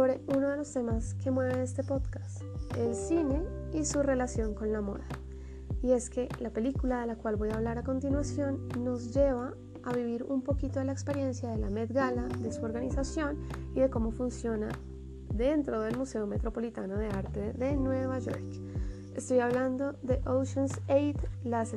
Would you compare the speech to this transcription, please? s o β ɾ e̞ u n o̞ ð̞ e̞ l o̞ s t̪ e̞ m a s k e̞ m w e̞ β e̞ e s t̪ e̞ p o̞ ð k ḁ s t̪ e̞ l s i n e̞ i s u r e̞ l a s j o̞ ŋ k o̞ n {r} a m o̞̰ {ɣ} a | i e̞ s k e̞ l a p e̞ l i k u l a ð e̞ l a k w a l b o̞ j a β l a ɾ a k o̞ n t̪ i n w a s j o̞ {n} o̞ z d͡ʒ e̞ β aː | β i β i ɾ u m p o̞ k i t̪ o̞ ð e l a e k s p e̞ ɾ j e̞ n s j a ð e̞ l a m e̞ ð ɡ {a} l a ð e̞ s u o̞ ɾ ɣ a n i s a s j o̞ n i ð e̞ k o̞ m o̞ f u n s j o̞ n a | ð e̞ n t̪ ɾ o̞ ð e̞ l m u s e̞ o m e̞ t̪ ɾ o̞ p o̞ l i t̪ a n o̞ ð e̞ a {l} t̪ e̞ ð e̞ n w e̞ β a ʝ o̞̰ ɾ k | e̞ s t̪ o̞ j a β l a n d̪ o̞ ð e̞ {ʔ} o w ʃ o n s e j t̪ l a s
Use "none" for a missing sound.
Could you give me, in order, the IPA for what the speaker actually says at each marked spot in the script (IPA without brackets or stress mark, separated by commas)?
l, ð, nː, a, ɾ, ʔ